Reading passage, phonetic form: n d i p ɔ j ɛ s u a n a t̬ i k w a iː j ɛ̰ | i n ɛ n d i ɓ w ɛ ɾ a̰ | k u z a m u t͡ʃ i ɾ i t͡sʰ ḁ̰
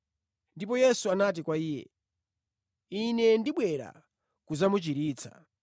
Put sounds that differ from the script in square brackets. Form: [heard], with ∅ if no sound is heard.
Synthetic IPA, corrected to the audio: n d i p ɔ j ɛ s u a n a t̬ i k w a iː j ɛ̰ | i n ɛ n d i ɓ w ɛ ɾ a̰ | k u z a m u t͡ʃ i ɾ [iː] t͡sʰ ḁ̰

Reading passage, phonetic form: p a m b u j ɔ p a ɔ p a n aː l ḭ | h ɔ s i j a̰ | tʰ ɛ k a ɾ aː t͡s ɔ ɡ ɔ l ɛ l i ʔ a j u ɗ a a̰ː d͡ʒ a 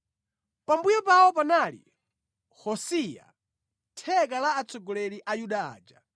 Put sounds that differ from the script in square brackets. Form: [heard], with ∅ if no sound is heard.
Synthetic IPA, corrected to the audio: p a m b u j ɔ p a ɔ p a n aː l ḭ | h ɔ s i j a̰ | tʰ ɛ k a [l] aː t͡s ɔ ɡ ɔ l ɛ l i ʔ a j u ɗ a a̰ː d͡ʒ a

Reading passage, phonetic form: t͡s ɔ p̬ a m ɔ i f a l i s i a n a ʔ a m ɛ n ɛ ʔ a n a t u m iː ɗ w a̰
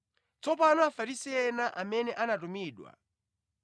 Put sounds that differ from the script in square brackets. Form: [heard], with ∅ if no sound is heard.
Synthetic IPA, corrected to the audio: t͡s ɔ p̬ a [n] ɔ [a] f a [ɾ] i s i [ɛ] n a ʔ a m ɛ n ɛ ʔ a n a t u m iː ɗ w a̰

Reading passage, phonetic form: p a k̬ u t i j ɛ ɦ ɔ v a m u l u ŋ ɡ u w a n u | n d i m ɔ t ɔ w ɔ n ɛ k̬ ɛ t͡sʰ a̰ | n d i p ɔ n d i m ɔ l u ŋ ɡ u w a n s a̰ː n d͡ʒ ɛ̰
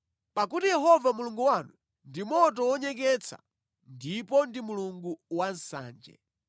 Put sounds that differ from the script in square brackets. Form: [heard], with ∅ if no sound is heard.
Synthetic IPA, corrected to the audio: p a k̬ u t i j ɛ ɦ ɔ v a m u l u ŋ ɡ u w a n u | n d i m ɔ t ɔ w ɔ [ɲ] ɛ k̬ ɛ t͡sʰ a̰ | n d i p ɔ n d i m [u] l u ŋ ɡ u w a n s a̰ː n d͡ʒ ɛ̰

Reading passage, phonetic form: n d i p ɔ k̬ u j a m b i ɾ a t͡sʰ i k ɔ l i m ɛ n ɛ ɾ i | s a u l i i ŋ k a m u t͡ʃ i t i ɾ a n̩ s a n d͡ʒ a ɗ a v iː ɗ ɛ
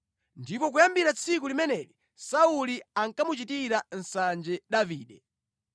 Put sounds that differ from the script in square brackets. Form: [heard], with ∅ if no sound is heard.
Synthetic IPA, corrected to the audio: n d i p ɔ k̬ u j a m b i ɾ a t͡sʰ i k [u] l i m ɛ n ɛ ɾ i | s a u l i [a] ŋ k a m u t͡ʃ i t i ɾ a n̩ s a n d͡ʒ [ɛ] ɗ a v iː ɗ ɛ

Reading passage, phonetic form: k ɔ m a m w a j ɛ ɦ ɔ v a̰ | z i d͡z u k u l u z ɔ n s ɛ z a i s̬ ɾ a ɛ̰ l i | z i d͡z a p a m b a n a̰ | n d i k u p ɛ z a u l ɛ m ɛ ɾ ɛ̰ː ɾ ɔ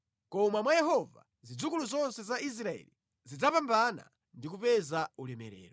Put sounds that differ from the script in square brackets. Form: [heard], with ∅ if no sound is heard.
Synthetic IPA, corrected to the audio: k ɔ m a m w a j ɛ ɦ ɔ v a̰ | z i d͡z u k u l u z ɔ n s ɛ z a i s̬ ɾ a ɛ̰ l i | z i d͡z a p a m b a n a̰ | n d i k u p ɛ z a u l ɛ m ɛ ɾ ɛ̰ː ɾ ɔ

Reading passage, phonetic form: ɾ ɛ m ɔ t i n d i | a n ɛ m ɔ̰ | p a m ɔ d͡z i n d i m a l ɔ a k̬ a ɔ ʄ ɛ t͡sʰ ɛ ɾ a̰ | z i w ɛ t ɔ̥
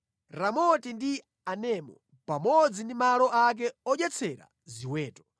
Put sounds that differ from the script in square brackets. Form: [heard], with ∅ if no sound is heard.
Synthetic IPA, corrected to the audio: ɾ [a] m ɔ t i n d i | a n ɛ m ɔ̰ | p a m ɔ d͡z i n d i m a l ɔ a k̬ [ɛ] ɔ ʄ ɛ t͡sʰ ɛ ɾ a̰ | z i w [ɛː] t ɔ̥

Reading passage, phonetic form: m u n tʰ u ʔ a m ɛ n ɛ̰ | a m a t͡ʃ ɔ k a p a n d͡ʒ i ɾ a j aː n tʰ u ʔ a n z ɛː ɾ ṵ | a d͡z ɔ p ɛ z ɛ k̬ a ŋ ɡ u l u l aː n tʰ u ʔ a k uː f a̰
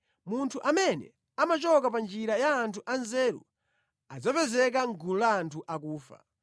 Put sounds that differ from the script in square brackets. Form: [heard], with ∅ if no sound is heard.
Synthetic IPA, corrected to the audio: m u n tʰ u ʔ a m ɛ n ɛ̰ | a m a t͡ʃ ɔ k a p a n d͡ʒ i ɾ a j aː n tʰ u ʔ a n z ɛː ɾ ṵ | a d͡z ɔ p ɛ z ɛ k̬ a ŋ ɡ u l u l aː n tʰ u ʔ a k uː f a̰

